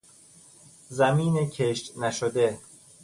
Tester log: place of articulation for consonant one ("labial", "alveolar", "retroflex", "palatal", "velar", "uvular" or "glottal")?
alveolar